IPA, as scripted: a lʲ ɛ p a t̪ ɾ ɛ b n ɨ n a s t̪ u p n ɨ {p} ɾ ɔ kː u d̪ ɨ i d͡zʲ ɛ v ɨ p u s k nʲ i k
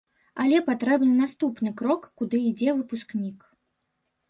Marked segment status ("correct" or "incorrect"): incorrect